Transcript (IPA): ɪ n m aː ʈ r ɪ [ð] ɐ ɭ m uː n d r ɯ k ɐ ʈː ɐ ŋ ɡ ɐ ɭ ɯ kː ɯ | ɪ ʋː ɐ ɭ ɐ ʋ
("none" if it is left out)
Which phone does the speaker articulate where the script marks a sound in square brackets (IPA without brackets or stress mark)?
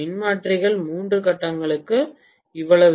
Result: ɣ